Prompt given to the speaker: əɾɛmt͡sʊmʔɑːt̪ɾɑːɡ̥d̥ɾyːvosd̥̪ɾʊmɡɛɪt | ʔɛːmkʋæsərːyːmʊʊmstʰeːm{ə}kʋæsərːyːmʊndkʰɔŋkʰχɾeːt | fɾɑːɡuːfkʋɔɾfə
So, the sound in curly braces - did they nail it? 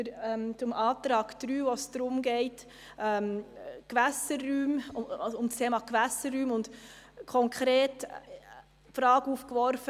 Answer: no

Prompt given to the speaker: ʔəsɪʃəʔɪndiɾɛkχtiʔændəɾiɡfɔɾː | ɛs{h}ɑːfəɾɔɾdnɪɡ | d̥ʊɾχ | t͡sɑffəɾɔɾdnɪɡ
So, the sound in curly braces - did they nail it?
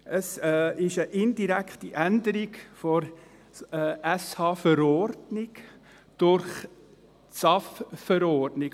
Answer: yes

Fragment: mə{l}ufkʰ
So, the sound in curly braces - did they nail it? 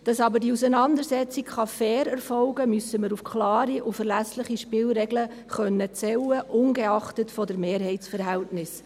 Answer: no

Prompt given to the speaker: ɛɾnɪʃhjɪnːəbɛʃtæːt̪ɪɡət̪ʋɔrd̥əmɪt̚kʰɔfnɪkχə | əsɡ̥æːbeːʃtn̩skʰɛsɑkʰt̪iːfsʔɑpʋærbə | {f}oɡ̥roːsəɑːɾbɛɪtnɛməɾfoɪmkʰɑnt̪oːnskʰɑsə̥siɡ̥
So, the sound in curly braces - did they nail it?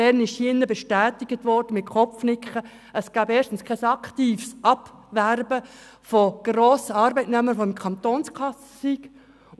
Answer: yes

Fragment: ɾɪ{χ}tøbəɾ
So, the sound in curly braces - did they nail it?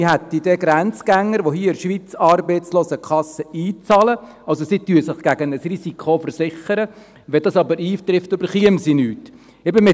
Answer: no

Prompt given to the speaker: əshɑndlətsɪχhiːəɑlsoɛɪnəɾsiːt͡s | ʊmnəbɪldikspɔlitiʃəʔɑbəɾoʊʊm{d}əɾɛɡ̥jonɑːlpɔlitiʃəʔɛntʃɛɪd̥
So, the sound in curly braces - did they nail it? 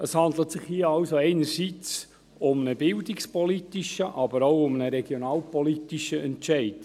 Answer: no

